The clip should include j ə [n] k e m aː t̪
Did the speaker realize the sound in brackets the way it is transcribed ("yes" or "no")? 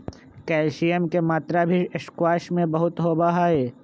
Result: no